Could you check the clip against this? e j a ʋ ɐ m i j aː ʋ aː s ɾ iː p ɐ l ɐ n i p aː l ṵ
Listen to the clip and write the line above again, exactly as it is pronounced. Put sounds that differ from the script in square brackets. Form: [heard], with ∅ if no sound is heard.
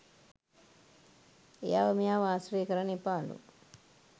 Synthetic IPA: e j a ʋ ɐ m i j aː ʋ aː s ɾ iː [k] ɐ [ɾ] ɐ n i p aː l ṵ